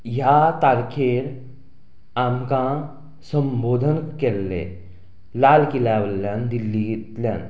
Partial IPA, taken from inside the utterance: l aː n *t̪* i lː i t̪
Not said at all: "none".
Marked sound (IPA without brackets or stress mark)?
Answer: d̪